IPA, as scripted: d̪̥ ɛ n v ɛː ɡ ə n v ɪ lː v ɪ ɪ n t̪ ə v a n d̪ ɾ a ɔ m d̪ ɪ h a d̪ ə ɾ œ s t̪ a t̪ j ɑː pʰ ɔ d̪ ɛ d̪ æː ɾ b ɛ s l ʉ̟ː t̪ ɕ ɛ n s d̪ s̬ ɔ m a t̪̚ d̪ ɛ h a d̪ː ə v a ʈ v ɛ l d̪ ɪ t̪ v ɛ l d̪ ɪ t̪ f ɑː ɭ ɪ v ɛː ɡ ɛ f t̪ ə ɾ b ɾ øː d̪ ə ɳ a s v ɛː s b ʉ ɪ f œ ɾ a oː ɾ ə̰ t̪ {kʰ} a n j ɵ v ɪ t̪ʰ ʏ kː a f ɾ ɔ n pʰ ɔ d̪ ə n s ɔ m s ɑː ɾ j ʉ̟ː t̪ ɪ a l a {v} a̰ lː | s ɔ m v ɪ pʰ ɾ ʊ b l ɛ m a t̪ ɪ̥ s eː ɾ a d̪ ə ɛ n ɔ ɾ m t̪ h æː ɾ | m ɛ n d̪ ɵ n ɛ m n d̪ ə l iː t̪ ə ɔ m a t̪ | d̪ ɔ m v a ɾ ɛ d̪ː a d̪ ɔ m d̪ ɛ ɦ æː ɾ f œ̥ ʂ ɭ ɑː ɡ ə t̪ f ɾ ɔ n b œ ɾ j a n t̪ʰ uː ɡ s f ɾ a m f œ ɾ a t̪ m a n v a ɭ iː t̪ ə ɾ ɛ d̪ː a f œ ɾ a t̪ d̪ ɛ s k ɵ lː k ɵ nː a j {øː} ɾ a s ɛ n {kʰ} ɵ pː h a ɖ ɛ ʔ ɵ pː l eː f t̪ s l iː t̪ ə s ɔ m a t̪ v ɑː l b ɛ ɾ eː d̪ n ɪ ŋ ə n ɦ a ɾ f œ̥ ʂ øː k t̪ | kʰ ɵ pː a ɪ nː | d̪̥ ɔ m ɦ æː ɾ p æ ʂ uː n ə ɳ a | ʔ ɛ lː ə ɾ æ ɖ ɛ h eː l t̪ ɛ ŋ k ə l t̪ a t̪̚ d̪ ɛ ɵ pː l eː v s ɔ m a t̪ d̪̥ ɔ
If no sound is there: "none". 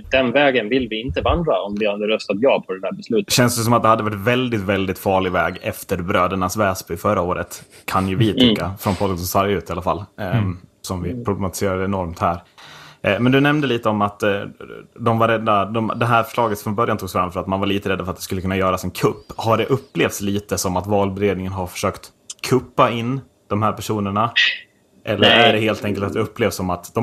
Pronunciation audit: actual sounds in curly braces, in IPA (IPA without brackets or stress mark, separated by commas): kʰ, f, œː, kʰ